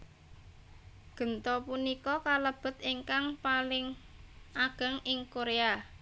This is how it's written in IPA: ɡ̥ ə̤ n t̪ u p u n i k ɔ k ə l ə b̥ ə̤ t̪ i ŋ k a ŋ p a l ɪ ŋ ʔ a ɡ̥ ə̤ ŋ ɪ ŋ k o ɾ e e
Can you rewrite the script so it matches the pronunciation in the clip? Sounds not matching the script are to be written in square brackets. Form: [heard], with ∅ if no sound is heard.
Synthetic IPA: ɡ̥ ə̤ n t̪ [ɔ] p u n i k ɔ k [a] l ə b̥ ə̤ t̪ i ŋ k a ŋ p a l ɪ ŋ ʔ a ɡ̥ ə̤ ŋ ɪ ŋ k o ɾ e [a]